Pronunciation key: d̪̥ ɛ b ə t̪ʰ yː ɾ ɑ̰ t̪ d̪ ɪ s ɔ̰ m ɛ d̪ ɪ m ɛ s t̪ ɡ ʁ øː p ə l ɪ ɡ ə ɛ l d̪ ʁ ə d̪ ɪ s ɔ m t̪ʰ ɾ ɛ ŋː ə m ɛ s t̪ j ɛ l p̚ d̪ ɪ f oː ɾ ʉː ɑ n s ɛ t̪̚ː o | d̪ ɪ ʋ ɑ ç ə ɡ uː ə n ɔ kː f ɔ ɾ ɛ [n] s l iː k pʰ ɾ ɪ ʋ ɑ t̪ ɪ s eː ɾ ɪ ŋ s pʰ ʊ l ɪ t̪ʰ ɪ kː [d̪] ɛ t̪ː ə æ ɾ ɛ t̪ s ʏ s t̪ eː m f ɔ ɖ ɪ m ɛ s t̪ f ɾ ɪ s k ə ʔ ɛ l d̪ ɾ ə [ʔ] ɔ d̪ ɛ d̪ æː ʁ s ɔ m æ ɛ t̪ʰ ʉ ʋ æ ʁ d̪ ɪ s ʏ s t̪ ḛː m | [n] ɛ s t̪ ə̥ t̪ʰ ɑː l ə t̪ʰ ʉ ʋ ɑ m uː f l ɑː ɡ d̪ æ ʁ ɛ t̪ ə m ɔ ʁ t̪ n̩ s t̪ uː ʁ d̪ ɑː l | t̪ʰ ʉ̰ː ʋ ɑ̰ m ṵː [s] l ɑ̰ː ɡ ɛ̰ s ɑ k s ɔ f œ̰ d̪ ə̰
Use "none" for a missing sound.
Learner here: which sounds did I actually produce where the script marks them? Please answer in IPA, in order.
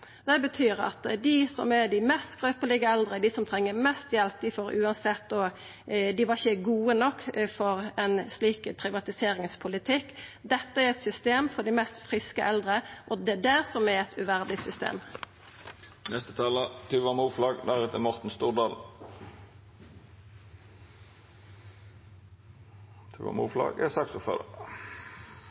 n, d̪, ʔ, n, f

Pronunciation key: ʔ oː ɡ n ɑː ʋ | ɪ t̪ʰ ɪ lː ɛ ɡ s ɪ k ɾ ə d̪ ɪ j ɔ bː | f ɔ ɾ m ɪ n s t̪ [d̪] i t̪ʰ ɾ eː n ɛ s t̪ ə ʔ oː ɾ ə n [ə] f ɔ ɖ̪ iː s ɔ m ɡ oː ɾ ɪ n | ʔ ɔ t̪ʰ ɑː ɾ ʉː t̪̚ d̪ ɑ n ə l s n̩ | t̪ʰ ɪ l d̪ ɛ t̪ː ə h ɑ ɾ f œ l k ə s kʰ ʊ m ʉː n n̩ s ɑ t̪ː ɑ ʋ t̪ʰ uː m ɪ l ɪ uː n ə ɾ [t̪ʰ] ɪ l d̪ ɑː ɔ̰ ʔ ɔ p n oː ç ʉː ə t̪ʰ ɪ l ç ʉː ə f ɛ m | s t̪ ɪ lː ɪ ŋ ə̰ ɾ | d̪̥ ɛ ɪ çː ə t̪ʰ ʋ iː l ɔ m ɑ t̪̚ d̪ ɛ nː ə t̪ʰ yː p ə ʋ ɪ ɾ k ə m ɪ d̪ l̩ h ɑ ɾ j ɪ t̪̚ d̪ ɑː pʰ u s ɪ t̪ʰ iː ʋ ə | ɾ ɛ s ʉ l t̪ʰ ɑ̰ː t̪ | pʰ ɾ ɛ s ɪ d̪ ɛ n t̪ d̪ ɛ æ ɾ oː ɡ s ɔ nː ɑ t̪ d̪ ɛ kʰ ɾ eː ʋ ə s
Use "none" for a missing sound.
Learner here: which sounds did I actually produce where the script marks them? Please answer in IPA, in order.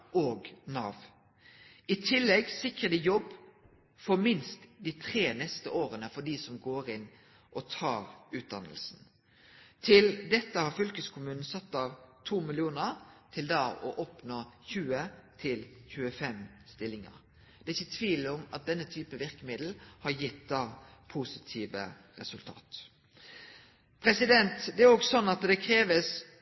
d̪, ə, t̪ʰ

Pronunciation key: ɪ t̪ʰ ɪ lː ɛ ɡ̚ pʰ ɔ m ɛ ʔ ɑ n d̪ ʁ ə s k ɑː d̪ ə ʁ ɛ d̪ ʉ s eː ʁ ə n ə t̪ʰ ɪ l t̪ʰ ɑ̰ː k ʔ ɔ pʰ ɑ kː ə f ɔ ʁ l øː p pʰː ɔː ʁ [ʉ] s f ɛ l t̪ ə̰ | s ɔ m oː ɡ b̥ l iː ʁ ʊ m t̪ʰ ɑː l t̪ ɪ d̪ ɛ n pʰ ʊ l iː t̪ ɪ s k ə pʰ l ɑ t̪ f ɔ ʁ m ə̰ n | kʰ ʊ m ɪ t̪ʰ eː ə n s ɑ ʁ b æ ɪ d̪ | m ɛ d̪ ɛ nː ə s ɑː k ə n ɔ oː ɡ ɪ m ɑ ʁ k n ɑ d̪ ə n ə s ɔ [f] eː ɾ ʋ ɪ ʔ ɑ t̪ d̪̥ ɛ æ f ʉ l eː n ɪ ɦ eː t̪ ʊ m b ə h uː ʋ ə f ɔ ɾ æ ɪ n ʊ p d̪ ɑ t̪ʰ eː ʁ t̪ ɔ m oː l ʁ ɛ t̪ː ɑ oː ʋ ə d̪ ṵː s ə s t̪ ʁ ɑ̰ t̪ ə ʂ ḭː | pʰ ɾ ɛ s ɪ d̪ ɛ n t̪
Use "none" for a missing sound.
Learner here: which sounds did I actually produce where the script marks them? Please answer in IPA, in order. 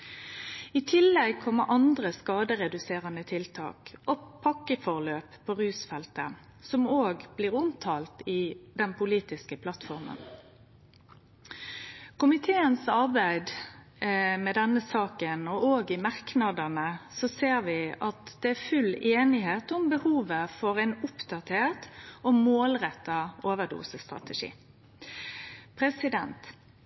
ʉː, s

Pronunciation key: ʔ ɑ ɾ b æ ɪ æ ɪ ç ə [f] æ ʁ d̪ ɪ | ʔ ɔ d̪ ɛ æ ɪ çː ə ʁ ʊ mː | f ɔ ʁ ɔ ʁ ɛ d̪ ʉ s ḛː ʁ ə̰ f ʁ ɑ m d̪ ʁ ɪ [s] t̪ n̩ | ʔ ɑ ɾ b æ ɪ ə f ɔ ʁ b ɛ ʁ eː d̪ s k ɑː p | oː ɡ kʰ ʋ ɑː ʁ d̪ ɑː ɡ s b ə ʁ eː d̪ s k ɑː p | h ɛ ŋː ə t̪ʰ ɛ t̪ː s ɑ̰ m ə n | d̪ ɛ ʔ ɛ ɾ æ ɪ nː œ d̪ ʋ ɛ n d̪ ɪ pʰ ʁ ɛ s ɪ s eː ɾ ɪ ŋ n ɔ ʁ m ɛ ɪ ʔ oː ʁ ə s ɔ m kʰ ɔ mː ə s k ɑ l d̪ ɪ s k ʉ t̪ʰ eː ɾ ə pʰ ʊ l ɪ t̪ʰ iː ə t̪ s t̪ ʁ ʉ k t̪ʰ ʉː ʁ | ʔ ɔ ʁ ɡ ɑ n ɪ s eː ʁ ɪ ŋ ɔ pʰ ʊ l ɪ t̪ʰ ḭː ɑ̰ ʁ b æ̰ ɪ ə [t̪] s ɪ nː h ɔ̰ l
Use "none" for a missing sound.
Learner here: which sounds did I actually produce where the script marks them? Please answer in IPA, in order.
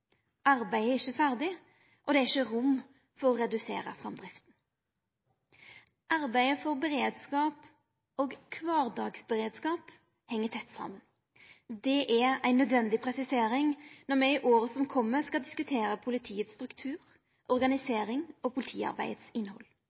f, f, t̪

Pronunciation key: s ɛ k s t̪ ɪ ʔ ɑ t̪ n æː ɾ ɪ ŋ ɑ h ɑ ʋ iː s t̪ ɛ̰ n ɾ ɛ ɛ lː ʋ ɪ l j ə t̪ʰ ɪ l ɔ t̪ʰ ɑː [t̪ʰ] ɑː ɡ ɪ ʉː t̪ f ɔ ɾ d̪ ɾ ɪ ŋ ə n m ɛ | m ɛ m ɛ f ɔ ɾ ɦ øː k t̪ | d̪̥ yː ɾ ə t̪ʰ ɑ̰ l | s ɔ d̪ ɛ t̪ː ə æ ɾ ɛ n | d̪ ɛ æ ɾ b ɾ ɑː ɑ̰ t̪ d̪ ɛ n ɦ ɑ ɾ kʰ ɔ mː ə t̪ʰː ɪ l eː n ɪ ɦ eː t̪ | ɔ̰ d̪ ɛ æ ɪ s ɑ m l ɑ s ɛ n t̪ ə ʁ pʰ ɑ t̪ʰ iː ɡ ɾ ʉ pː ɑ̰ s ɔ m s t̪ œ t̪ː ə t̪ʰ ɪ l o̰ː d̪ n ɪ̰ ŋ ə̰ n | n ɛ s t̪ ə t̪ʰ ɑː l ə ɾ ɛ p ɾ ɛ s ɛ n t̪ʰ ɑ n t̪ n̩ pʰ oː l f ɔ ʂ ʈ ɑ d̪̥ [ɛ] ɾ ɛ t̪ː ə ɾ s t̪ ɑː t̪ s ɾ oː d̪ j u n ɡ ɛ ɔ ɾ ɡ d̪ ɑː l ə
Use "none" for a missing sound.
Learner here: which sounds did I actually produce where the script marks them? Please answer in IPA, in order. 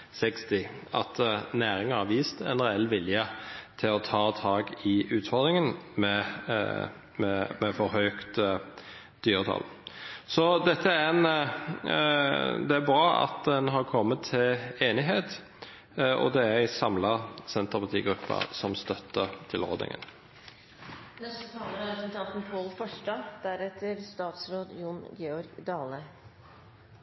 t̪ʰ, æ

